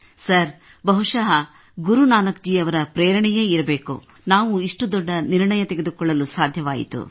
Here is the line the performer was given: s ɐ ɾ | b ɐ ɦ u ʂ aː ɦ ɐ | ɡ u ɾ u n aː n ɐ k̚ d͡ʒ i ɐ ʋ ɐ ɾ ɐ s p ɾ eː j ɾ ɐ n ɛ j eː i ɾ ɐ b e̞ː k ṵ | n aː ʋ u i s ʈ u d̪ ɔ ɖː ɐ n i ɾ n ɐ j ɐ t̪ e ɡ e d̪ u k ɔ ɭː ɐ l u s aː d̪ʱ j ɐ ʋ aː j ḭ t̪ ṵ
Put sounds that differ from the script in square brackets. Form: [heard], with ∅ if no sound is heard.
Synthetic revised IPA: s ɐ ɾ | b ɐ ɦ u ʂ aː ɦ ɐ | ɡ u ɾ u n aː n ɐ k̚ d͡ʒ i ɐ ʋ ɐ ɾ ɐ [∅] p ɾ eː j ɾ ɐ [ɳ] ɛ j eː i ɾ ɐ b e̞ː k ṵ | n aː ʋ u i [ʂ] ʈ u d̪ ɔ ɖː ɐ n i ɾ [ɳ] ɐ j ɐ t̪ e ɡ e d̪ u k ɔ ɭː ɐ l u s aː d̪ʱ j ɐ ʋ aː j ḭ t̪ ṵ